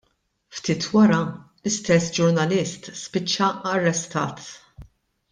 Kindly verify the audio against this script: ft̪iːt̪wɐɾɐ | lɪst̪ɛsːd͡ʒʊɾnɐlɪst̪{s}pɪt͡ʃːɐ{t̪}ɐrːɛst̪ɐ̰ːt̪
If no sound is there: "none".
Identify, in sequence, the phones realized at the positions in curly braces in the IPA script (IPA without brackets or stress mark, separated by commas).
s, none